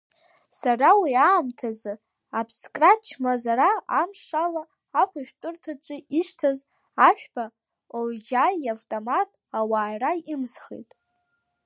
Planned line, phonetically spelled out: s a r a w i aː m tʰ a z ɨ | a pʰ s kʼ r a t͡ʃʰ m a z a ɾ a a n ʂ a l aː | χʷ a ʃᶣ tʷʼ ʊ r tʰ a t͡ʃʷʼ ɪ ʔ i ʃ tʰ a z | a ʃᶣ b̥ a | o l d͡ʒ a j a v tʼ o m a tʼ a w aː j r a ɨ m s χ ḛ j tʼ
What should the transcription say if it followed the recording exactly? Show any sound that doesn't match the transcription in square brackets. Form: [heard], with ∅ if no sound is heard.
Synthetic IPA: s a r a w i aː m tʰ a z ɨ | a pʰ s kʼ r a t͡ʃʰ m a z a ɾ a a [m] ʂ a l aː | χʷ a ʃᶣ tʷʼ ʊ r tʰ a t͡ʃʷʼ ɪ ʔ i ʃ tʰ a z | a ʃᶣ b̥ a | o l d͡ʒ a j a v tʼ o m a tʼ a w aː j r a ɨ m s χ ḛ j tʼ